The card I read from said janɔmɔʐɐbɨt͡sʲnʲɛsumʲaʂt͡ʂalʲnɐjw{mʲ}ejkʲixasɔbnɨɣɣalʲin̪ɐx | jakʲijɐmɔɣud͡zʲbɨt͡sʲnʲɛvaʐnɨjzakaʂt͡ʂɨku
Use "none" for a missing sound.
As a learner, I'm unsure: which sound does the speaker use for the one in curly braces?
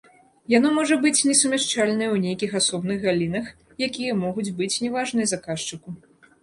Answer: nʲ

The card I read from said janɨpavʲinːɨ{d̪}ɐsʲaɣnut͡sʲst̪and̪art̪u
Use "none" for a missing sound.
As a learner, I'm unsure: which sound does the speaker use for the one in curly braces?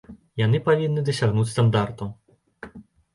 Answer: d̪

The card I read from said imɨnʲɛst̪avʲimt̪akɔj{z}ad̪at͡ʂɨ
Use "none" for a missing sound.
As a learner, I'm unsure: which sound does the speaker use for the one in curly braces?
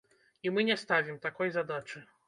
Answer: z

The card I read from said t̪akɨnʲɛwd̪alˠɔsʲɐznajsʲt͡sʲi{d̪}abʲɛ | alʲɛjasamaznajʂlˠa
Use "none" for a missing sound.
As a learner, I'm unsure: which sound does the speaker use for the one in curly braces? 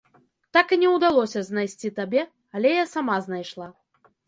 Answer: t̪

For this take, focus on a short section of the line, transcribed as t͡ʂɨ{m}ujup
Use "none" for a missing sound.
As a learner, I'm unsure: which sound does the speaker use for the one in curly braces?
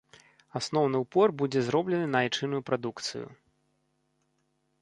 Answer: n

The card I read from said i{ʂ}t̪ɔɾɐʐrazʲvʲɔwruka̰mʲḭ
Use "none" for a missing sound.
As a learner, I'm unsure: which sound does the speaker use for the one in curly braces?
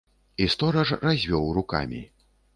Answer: s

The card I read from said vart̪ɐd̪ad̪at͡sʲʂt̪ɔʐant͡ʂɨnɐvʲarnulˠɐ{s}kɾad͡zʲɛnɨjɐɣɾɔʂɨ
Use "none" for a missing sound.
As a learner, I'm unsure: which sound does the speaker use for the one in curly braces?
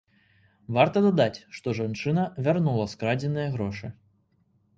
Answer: s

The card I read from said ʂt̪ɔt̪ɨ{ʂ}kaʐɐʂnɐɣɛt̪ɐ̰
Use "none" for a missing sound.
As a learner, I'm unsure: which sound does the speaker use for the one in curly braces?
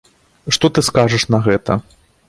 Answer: s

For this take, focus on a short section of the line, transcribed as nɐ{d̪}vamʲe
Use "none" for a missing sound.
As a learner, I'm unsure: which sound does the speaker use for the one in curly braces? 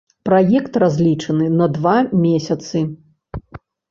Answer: d̪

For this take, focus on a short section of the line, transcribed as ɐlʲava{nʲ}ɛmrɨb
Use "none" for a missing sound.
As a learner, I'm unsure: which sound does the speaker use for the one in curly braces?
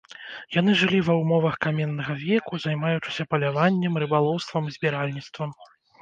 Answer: nʲː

